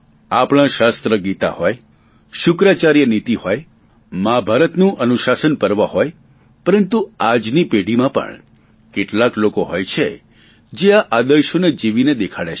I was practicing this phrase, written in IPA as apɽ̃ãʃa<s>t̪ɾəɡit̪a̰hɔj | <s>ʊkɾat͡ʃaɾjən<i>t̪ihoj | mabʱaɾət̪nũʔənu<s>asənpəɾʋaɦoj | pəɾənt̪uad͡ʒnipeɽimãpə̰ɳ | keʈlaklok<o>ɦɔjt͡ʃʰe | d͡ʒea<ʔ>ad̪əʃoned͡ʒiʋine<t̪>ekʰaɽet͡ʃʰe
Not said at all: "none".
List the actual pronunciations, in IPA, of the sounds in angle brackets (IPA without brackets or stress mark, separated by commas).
s, ʃ, i, ʃ, o, ʔ, d̪